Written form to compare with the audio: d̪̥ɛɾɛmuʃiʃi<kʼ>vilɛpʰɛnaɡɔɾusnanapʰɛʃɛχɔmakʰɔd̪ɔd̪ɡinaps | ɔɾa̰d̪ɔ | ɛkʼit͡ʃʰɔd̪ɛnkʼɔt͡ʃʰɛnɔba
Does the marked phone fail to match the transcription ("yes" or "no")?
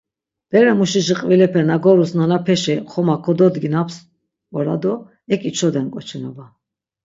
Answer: yes